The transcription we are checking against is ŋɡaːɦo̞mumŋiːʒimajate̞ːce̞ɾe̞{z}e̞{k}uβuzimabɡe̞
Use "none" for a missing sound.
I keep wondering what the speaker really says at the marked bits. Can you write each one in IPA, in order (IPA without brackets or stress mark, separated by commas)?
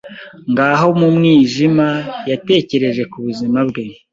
ʒ, k